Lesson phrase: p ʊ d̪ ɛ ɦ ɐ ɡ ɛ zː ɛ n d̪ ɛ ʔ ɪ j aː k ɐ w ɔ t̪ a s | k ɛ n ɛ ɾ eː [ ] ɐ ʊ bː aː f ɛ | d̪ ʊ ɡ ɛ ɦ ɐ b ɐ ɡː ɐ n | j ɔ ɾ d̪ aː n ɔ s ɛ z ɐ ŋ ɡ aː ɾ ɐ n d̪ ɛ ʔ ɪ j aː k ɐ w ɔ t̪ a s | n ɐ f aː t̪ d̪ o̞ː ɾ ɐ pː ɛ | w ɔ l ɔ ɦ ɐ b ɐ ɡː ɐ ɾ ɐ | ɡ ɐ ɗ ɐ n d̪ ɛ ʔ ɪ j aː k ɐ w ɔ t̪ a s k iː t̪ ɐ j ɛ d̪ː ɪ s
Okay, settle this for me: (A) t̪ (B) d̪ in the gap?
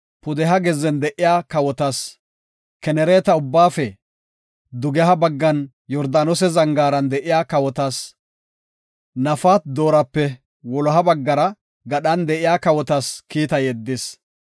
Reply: A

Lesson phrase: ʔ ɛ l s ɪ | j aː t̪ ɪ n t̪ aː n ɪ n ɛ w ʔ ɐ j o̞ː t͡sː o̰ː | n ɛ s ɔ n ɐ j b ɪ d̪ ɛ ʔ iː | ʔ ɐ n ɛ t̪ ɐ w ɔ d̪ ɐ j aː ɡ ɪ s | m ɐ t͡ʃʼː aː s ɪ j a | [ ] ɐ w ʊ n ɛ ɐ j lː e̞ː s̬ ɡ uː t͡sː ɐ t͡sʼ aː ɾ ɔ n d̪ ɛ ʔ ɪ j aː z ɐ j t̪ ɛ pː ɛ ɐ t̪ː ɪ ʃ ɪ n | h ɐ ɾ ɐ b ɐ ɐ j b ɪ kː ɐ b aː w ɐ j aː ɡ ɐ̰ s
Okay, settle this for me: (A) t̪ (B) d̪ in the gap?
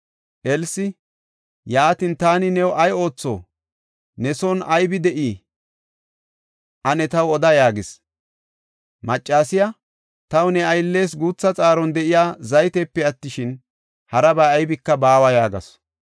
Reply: A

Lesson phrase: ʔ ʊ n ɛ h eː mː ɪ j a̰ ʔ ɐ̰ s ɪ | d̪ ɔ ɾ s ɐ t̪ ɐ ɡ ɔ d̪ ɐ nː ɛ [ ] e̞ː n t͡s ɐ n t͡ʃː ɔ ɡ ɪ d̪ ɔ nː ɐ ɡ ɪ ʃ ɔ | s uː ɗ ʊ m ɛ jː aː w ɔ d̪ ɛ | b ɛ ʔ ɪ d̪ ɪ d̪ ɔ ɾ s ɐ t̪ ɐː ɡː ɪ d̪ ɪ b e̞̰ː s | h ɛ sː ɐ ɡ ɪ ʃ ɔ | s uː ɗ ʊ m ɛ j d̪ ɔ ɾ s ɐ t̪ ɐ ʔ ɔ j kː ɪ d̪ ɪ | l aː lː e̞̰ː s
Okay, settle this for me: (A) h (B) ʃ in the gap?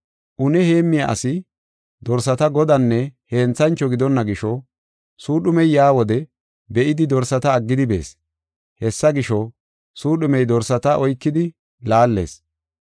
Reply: A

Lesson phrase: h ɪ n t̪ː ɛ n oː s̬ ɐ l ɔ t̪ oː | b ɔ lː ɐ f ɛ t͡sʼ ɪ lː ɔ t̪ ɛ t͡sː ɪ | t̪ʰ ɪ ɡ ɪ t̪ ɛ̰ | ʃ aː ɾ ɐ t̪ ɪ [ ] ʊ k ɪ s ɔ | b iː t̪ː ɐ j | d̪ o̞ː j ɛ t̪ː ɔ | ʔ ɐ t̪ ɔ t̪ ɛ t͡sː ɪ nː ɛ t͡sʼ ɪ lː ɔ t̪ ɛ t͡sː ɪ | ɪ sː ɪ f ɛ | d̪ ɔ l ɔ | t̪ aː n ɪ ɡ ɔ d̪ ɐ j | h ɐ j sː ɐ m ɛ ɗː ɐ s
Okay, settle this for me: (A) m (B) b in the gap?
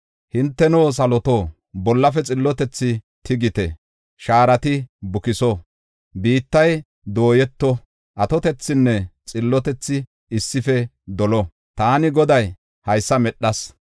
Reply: B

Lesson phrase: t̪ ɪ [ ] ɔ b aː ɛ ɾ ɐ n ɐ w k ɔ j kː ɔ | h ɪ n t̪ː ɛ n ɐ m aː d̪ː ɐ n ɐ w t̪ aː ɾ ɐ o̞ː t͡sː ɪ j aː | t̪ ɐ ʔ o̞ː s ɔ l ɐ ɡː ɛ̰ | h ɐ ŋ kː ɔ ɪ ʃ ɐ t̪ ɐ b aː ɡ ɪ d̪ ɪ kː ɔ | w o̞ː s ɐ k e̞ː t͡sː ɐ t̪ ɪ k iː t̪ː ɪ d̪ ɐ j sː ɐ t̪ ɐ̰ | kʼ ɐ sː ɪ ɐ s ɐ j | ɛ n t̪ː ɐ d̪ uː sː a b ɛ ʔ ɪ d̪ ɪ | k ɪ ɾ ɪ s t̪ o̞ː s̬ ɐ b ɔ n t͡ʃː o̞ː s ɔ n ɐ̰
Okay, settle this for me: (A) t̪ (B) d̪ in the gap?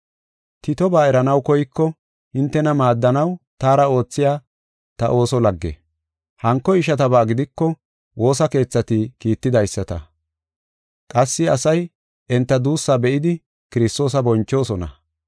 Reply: A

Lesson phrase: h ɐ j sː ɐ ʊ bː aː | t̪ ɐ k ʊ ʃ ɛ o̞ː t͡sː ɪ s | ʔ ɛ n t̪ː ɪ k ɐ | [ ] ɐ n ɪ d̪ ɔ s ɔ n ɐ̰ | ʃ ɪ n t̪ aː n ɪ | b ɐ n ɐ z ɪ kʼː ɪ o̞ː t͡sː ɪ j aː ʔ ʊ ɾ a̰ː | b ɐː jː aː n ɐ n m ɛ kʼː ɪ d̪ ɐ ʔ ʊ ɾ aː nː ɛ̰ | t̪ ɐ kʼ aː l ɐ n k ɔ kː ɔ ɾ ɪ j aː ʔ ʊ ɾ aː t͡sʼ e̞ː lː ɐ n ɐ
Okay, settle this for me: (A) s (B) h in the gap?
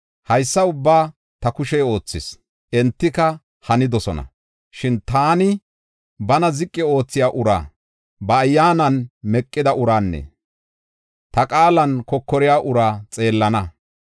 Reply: B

